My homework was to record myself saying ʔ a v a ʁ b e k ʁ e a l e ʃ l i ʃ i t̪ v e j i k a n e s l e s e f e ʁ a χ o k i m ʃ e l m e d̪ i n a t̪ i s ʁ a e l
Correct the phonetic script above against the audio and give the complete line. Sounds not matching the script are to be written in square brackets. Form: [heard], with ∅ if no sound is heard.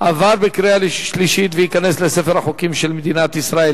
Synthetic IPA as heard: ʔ a v a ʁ b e k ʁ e a l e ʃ l i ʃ i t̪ v e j i k a n e s l e s e f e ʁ a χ o k i m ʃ e l m e d̪ i n a t̪ i s ʁ a e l